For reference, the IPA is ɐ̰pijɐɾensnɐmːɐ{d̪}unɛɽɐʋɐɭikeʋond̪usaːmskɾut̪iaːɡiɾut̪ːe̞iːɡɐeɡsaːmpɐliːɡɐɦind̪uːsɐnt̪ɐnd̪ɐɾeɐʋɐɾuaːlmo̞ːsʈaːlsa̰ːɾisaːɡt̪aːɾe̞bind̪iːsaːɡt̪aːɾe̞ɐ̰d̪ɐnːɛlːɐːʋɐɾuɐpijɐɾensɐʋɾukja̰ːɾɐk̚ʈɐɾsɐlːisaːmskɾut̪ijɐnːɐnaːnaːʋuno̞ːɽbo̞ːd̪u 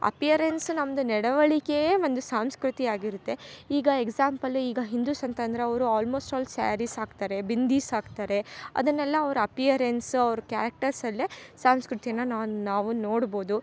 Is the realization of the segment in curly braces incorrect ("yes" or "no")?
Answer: no